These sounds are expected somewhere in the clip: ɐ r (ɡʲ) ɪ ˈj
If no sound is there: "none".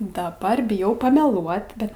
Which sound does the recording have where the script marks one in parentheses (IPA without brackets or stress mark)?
bʲ